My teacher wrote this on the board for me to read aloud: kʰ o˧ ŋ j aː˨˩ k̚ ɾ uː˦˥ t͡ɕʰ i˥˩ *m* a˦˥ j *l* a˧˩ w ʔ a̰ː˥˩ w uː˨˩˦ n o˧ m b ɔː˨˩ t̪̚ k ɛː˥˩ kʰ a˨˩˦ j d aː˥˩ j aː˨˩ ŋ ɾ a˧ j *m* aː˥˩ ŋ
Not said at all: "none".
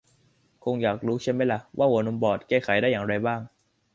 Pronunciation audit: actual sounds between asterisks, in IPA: m, l, b

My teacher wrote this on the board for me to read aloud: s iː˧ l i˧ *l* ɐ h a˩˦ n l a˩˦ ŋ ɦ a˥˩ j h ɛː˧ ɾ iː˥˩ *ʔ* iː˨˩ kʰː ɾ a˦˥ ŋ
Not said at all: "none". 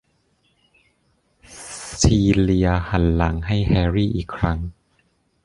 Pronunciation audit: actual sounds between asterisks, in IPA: none, ʔ

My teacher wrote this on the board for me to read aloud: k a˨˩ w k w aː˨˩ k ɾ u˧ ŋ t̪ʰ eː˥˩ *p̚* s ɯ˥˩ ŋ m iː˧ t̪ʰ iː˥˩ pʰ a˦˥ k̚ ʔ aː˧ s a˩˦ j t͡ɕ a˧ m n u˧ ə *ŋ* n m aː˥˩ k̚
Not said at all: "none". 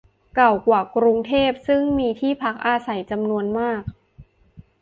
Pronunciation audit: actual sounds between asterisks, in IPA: p̚, none

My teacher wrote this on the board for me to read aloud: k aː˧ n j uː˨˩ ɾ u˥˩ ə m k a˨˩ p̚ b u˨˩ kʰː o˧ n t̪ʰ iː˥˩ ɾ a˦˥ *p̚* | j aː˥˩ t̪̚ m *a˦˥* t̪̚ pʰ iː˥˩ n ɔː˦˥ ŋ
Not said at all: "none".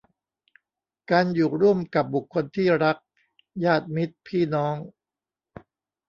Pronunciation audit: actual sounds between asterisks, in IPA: k̚, i˦˥

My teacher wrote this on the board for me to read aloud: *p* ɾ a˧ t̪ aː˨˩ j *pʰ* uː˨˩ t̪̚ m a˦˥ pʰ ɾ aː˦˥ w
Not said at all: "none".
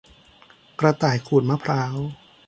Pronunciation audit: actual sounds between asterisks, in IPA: k, kʰ

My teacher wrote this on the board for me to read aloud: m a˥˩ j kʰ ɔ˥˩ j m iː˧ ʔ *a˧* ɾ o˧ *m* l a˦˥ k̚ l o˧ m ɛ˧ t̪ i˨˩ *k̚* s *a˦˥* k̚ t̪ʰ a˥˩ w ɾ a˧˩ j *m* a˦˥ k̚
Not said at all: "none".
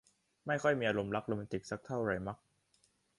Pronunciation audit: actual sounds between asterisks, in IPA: a˧, m, k̚, a˦˥, m

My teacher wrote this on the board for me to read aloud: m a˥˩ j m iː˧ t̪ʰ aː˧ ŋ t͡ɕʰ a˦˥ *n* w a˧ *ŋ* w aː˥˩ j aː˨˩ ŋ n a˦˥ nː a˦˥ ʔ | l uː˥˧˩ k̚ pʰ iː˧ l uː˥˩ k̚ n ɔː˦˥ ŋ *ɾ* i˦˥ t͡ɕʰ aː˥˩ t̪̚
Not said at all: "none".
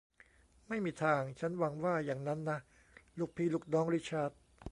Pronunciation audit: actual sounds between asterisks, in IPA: n, ŋ, ɾ

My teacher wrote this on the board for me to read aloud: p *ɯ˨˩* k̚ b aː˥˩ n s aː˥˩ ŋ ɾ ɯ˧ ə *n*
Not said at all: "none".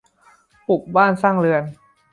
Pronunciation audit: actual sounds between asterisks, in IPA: u˨˩, n

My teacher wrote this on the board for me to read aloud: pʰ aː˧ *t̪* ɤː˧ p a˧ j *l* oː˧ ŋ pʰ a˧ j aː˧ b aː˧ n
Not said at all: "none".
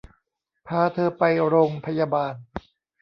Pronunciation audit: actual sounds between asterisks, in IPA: t̪ʰ, ɾ

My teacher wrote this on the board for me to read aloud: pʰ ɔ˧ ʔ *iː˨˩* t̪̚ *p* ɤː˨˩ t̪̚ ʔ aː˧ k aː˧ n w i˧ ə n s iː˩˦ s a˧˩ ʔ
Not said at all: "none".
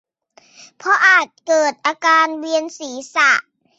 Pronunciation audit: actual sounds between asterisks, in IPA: aː˨˩, k

